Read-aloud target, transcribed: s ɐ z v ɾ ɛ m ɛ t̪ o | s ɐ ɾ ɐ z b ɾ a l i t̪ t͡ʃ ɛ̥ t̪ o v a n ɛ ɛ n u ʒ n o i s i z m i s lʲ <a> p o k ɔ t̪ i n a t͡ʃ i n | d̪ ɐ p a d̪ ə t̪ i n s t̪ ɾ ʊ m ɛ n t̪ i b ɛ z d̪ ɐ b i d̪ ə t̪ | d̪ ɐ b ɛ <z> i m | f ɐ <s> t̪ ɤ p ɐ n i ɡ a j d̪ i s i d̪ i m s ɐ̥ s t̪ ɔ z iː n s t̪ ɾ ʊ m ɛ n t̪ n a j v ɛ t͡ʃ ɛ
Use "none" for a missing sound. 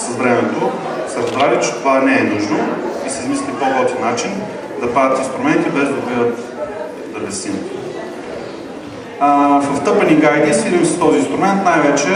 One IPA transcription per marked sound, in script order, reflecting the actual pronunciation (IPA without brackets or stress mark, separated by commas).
i, s, f